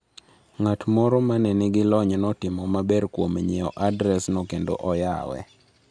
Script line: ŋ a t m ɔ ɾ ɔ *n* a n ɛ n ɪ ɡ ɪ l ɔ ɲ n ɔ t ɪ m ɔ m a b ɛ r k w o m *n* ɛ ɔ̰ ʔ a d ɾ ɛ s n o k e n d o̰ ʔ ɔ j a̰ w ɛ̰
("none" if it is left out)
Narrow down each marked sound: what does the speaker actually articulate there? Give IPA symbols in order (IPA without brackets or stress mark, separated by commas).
m, ɲ